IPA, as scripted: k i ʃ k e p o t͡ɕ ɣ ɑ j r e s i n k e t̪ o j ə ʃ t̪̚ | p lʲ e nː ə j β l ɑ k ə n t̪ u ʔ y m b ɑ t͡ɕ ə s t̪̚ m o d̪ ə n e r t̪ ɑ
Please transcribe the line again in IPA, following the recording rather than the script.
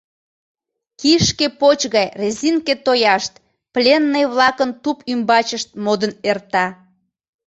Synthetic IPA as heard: k i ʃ k e p o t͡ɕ ɣ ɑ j r e z i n k e t̪ o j ɑ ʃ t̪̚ | p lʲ e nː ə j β l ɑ k ə n t̪ u p y m b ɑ t͡ɕ ə ʃ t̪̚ m o d̪ ə n e r t̪ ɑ